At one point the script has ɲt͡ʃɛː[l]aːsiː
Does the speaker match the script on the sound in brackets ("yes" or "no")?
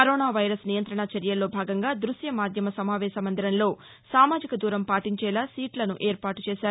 yes